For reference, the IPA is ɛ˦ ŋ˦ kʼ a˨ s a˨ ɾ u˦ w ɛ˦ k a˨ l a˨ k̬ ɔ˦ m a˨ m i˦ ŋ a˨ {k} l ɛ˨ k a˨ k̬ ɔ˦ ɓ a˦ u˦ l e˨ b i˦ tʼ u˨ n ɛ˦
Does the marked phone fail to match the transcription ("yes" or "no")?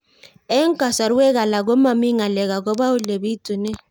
yes